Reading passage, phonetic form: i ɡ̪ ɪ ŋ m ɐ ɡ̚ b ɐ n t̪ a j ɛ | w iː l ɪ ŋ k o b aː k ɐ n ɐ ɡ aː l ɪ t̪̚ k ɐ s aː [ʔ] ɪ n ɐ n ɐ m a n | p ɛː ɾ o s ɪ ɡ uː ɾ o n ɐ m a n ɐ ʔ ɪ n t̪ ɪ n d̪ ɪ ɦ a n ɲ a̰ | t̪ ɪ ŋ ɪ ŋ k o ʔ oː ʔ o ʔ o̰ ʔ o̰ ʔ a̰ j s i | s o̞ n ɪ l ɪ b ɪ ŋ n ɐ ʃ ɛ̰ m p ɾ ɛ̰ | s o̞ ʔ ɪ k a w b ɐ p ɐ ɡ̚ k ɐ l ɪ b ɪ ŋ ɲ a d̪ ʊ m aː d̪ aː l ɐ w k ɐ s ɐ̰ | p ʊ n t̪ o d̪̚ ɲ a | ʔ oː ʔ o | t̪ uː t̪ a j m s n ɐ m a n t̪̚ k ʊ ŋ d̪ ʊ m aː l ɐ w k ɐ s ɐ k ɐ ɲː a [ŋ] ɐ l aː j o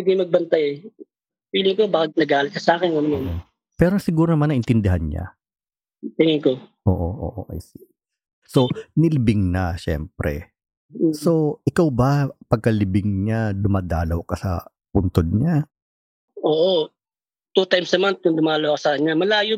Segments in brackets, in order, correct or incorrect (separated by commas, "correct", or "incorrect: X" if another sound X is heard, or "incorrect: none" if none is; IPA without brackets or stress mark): incorrect: k, incorrect: m